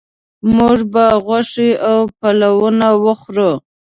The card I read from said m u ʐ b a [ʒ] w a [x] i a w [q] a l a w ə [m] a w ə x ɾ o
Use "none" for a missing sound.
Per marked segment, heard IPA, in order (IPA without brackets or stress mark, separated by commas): ɣ, ʂ, p, n